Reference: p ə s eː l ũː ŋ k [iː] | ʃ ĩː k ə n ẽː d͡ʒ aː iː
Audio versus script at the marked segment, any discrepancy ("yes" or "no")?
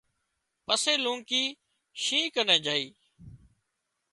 no